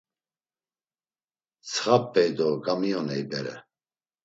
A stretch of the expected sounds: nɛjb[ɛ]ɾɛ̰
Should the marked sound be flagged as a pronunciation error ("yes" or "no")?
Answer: no